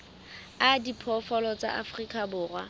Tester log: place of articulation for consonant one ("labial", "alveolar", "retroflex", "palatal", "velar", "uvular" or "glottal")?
alveolar